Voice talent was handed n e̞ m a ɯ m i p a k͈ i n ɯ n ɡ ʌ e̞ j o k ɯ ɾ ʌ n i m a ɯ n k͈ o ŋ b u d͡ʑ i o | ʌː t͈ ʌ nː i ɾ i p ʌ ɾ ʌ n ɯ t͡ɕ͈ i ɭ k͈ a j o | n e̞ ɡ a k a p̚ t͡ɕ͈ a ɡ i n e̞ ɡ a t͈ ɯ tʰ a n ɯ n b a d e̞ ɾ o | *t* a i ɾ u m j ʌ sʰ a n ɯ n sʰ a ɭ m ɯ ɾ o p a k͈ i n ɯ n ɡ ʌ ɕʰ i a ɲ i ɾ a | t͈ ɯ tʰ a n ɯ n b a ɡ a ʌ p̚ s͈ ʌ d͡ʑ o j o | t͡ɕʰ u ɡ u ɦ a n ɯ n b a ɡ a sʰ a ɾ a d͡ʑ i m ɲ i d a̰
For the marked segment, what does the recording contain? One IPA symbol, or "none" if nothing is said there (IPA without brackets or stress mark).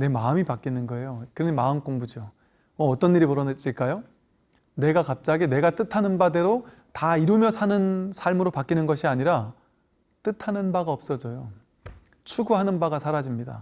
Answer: t